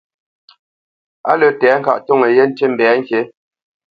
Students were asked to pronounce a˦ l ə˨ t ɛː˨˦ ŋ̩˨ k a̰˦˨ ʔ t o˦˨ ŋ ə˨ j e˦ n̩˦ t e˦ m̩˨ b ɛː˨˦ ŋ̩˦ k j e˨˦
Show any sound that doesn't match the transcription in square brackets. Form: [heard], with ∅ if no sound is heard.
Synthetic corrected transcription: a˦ l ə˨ t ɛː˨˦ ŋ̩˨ k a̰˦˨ ʔ t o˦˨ ŋ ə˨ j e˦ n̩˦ t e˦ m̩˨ b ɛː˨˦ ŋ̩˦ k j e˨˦